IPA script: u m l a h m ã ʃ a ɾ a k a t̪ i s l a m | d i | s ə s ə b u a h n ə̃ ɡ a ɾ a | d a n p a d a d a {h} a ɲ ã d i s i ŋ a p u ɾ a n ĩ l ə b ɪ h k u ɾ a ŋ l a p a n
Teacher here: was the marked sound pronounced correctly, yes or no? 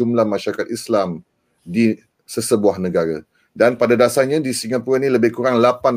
no